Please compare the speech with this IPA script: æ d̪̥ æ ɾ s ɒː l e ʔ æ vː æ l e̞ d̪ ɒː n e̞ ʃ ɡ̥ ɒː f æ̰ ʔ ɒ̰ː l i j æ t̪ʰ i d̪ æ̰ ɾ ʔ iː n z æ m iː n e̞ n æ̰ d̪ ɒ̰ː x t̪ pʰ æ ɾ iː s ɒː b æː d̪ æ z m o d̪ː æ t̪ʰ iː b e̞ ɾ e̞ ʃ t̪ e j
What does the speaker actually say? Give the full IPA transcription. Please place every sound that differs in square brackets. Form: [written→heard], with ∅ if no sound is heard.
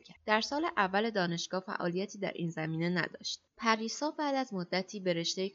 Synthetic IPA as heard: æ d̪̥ æ ɾ s ɒː l e ʔ æ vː æ l e̞ d̪ ɒː n e̞ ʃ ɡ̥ ɒː f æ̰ ʔ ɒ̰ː l i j æ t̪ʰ [i→iː] d̪ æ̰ ɾ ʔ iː n z æ m iː n e̞ n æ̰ d̪ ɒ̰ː [x→ʃ] t̪ pʰ æ ɾ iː s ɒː b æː d̪ æ z m o d̪ː æ t̪ʰ iː b e̞ ɾ e̞ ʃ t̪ e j